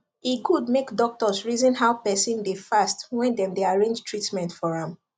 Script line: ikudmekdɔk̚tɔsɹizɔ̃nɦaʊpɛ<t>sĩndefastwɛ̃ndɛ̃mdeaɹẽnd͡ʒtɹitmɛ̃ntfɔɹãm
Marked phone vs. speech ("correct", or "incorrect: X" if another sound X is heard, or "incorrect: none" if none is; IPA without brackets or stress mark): incorrect: none